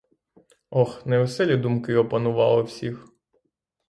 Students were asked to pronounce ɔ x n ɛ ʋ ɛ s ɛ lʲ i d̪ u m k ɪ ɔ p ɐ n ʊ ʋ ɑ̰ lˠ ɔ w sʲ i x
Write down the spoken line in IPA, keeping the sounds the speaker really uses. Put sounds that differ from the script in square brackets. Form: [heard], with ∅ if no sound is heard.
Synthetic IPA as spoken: ɔ x n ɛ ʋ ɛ s ɛ lʲ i d̪ u m k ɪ ɔ p ɐ n ʊ ʋ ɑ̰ lˠ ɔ w sʲ i x